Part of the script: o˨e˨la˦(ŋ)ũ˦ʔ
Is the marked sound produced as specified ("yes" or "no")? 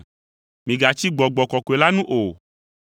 no